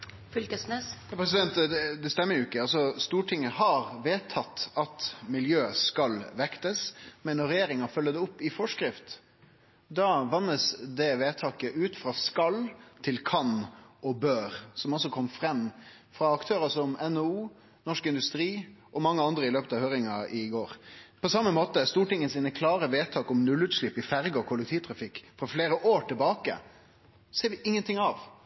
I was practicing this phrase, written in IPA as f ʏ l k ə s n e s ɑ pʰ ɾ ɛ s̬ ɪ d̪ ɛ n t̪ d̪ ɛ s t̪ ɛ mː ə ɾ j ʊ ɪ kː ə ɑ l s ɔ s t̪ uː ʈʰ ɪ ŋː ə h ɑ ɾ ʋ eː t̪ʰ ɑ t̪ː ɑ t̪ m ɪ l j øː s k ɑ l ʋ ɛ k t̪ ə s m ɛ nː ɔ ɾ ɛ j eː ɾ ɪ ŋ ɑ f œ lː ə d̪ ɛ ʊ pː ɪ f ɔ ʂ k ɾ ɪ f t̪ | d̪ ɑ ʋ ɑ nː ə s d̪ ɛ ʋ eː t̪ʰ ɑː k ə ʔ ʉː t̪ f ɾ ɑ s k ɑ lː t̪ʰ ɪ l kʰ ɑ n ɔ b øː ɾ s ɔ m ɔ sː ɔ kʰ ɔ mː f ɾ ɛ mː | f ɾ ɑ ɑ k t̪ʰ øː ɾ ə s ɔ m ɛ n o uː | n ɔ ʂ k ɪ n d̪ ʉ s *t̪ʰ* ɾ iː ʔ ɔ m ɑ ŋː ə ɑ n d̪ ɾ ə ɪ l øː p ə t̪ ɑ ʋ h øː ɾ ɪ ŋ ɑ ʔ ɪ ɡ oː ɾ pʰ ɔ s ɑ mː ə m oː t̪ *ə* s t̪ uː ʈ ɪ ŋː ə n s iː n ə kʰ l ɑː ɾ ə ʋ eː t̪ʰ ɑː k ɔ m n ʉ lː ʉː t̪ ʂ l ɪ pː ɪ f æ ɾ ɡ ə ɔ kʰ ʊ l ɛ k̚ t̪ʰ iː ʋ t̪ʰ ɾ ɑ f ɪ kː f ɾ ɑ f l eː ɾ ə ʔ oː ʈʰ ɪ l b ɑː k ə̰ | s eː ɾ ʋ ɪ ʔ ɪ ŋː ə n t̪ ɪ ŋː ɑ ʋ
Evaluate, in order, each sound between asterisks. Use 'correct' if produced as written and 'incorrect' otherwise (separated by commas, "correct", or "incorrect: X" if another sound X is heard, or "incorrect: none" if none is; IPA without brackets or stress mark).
incorrect: t̪, correct